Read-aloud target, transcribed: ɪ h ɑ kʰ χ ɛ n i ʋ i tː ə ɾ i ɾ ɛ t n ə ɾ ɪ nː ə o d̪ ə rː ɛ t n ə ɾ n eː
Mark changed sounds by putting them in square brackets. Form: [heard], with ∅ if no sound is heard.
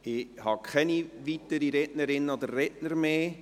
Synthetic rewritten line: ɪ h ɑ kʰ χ ɛ n i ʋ i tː ə ɾ i ɾ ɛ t n ə ɾ ɪ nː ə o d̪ ə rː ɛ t n ə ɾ [m] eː